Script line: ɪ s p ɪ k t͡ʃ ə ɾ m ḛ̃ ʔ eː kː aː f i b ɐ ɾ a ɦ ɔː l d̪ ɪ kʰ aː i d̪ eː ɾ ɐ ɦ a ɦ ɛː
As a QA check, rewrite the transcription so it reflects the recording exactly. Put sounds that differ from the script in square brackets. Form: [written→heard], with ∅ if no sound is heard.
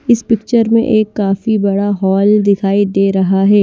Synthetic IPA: ɪ s p ɪ k t͡ʃ ə ɾ m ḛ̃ ʔ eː kː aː f i b ɐ [ɾ→ɽ] a ɦ ɔː l d̪ ɪ kʰ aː i d̪ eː ɾ ɐ ɦ a ɦ ɛː